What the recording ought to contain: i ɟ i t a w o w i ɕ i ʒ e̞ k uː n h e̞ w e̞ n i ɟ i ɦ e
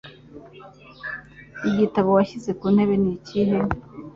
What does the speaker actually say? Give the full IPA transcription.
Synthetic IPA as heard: i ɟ i t a β o w a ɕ i z e̞ k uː n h e̞ β e̞ n i c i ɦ e